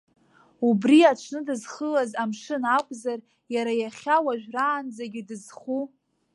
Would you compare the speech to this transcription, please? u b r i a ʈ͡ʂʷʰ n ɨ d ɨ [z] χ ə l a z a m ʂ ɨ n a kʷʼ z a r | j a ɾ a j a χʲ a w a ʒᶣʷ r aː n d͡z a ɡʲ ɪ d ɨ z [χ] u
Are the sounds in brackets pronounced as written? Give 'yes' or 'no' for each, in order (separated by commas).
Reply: yes, yes